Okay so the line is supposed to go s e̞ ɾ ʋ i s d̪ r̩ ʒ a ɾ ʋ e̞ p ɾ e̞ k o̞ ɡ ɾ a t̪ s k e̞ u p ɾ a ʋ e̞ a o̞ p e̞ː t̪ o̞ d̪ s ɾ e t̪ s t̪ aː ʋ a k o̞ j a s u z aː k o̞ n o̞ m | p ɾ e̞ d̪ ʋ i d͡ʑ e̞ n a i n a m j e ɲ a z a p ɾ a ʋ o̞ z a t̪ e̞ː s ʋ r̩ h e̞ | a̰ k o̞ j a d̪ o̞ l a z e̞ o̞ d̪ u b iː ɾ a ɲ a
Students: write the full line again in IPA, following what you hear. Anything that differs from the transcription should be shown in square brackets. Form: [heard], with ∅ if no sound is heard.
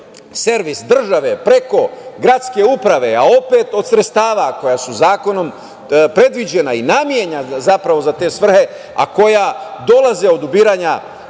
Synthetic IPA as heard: s e̞ ɾ ʋ i s d̪ r̩ ʒ a [∅] ʋ e̞ p ɾ e̞ k o̞ ɡ ɾ a t̪ s k e̞ u p ɾ a ʋ e̞ a o̞ p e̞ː t̪ o̞ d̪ s ɾ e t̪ s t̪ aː ʋ a k o̞ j a s u z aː k o̞ n o̞ m | p ɾ e̞ d̪ ʋ i d͡ʑ e̞ n a i n a m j e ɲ a z a p ɾ a ʋ o̞ z a t̪ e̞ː s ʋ r̩ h e̞ | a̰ k o̞ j a d̪ o̞ l a z e̞ o̞ d̪ u b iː ɾ a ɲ a